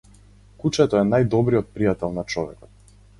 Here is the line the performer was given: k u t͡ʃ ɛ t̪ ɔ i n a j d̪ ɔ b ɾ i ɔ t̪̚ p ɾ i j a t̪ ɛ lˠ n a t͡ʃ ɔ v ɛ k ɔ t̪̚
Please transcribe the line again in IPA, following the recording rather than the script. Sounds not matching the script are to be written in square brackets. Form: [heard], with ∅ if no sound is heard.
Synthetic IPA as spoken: k u t͡ʃ ɛ t̪ ɔ [ɛ] n a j d̪ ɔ b ɾ i ɔ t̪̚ p ɾ i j a t̪ ɛ lˠ n a t͡ʃ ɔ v ɛ k ɔ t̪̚